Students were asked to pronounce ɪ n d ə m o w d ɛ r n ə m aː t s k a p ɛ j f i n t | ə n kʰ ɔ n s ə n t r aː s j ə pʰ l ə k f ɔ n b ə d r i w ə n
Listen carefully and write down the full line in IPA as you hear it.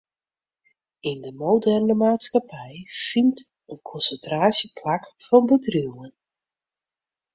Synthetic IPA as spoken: ɪ n d ə m o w d ɛ r n ə m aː t s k a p ɛ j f i n t | ə n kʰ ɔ n s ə n t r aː s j ə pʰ l a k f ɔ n b ə d r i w ə n

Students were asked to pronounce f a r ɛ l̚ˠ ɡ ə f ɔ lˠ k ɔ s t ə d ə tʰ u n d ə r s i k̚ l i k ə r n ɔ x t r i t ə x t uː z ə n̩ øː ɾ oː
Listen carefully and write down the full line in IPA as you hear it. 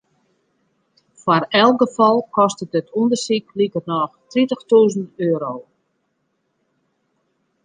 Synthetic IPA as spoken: f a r ɛ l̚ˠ ɡ ə f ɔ lˠ k ɔ s t ə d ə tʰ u n d ə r s i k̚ l i k ə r n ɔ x t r i t ə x t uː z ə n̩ øː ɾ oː

